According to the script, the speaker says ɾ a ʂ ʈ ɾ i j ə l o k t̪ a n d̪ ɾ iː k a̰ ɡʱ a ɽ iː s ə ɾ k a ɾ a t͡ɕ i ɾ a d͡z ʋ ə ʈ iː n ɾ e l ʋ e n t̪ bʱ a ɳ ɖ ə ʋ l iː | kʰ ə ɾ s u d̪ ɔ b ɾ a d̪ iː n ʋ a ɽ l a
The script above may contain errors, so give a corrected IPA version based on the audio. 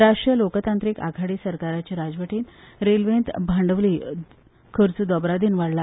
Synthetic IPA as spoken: ɾ a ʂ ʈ ɾ i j ə l o k t̪ a n t̪ ɾ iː k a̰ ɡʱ a ɽ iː s ə ɾ k a ɾ a t͡ɕ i ɾ a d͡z ʋ ə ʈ iː n ɾ e l ʋ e n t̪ bʱ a ɳ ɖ ə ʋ l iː | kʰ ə ɾ t͡s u d̪ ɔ b ɾ a d̪ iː n ʋ a ɽ l a